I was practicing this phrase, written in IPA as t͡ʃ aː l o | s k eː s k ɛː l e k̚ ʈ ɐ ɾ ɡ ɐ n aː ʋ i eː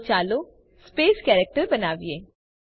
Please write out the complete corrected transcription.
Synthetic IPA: t͡ʃ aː l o | s p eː s k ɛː ɾ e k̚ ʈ ə ɾ b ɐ n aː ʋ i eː

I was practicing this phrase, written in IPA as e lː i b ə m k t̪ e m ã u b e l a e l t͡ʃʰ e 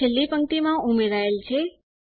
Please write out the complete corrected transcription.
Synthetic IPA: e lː i p ə ŋ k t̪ i m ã u m e ɾ a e l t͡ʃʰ e

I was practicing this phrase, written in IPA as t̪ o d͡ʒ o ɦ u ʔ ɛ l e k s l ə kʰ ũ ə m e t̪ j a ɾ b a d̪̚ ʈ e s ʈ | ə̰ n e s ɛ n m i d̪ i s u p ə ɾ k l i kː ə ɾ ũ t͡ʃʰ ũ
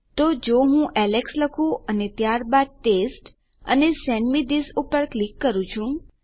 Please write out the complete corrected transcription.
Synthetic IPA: t̪ o d͡ʒ o ɦ ũ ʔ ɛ l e k s l ə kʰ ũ ə n e t̪ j a ɾ b a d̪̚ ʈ e s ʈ | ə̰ n e s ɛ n m i d̪ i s u p ə ɾ k l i kː ə ɾ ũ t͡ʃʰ ũ

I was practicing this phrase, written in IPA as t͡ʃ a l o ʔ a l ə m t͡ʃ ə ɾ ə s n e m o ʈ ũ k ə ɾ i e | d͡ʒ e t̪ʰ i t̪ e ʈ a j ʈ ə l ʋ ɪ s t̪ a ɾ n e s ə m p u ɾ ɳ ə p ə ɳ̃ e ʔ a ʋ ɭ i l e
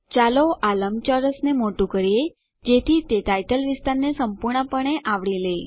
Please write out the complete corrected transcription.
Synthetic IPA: t͡ʃ a l o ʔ a l ə m t͡ʃ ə ɾ ə s n e m o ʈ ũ k ə ɾ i e | d͡ʒ e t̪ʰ i t̪ e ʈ a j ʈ ə l ʋ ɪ s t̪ a ɾ n e s ə m p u ɾ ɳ ə p ə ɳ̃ e ʔ a ʋ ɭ i l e

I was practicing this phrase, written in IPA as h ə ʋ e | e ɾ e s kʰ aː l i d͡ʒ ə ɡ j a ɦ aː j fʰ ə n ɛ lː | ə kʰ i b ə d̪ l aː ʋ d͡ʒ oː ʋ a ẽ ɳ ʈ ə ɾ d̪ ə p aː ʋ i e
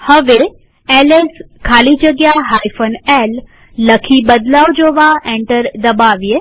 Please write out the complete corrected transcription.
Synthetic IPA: h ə ʋ e | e l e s kʰ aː l i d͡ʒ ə ɡ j a ɦ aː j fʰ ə n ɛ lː | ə kʰ i b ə d̪ l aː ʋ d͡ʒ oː ʋ a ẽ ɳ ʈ ə ɾ d̪ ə b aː ʋ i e

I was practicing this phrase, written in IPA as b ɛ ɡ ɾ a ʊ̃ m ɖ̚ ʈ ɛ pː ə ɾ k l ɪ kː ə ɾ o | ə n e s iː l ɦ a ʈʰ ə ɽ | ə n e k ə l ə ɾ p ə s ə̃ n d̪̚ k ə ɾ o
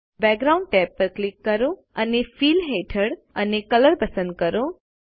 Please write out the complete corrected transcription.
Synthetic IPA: b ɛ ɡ ɾ a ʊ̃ ɳ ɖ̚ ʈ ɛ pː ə ɾ k l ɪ kː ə ɾ o | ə n e f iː l ɦ e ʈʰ ə ɽ | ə n e k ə l ə ɾ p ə s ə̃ n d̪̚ k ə ɾ o

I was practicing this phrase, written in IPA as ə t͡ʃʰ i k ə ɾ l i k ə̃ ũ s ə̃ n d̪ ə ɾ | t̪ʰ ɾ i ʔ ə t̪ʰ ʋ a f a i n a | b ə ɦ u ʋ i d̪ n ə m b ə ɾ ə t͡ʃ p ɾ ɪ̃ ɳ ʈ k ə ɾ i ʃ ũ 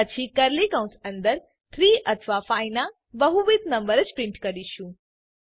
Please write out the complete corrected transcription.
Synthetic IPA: ə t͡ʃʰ i k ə ɾ l i k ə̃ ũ s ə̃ n d̪ ə ɾ | t̪ʰ ɾ i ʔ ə t̪ʰ ʋ a f a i n a | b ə ɦ u ʋ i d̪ n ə m b ə ɾ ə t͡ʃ p ɾ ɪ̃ ɳ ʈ k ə ɾ i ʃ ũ

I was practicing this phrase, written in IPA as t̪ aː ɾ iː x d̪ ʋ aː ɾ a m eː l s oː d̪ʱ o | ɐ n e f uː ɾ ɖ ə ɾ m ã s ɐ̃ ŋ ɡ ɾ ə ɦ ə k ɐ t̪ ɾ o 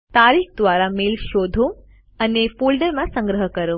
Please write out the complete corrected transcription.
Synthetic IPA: t̪ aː ɾ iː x d̪ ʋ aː ɾ a m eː l ʃ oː d̪ʱ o | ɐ n e f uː l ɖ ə ɾ m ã s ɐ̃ ŋ ɡ ɾ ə ɦ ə k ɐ ɾ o

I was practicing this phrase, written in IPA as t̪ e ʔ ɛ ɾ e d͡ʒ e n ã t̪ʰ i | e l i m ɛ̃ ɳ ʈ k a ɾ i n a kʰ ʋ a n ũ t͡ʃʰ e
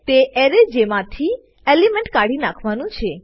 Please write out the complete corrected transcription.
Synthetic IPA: t̪ e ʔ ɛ ɾ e d͡ʒ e m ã t̪ʰ i | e l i m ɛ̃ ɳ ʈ k a ɽ i n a kʰ ʋ a n ũ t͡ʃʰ e

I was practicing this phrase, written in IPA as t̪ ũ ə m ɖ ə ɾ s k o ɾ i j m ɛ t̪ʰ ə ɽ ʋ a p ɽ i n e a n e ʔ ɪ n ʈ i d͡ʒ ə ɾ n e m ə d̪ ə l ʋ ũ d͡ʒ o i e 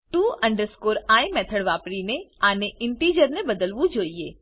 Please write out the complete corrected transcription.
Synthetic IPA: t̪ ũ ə ɳ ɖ ə ɾ s k o ɾ a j m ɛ t̪ʰ ə ɽ ʋ a p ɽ i n e a n e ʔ ɪ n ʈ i d͡ʒ ə ɾ n e b ə d̪ ə l ʋ ũ d͡ʒ o i e

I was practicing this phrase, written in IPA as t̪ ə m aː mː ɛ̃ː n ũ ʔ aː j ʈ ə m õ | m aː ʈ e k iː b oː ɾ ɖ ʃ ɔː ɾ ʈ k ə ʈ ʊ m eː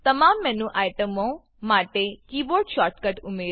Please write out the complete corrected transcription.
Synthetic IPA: t̪ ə m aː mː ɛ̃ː n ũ ʔ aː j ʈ ə m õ | m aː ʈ e k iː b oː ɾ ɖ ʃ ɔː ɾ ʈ k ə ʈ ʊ m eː

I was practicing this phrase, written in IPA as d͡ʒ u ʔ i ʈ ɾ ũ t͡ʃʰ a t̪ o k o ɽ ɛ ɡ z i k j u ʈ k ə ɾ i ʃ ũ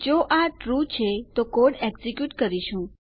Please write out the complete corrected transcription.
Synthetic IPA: d͡ʒ o ʔ a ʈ ɾ u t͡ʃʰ e t̪ o k o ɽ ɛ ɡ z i k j u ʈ k ə ɾ i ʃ ũ

